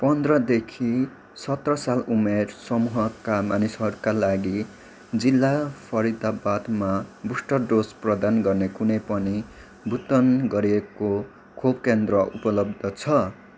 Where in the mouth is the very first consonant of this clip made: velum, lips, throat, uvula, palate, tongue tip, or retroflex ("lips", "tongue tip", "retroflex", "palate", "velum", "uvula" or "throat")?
lips